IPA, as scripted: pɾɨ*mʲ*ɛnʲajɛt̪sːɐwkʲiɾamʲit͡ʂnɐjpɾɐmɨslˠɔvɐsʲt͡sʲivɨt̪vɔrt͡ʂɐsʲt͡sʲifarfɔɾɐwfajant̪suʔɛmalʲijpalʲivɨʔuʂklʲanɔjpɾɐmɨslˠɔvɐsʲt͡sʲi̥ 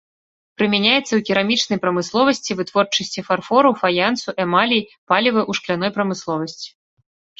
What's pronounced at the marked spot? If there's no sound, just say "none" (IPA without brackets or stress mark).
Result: mʲ